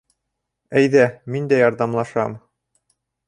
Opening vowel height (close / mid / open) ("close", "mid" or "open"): open